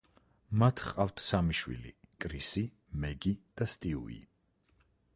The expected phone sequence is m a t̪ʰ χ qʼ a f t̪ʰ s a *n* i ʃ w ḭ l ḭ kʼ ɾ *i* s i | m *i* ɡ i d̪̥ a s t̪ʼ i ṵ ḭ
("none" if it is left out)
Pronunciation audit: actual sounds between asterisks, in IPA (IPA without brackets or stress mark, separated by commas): m, i, ɛ